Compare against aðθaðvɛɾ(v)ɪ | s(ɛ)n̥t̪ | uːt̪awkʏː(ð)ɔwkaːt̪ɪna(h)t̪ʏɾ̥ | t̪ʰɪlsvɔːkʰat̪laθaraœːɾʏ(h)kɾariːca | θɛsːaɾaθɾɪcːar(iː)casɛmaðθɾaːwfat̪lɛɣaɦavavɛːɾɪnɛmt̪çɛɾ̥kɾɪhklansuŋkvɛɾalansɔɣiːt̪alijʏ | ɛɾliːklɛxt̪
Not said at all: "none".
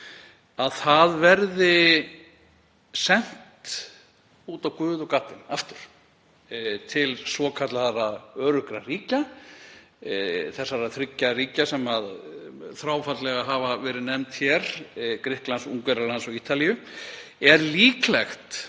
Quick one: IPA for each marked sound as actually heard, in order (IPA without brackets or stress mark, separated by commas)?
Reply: ð, ɛ, ð, f, h, iː